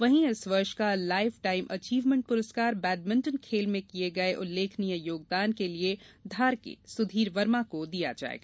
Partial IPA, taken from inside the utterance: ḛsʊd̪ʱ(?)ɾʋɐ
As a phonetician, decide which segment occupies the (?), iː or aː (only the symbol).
iː